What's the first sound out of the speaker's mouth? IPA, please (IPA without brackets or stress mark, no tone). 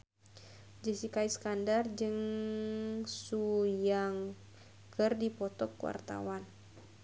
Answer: d͡ʒ